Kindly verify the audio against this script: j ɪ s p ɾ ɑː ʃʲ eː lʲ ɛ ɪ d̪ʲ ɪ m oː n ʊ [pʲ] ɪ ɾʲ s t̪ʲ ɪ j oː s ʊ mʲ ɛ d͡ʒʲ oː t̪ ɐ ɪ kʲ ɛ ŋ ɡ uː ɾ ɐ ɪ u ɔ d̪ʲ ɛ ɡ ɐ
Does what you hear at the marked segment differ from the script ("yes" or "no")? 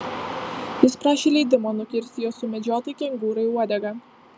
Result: yes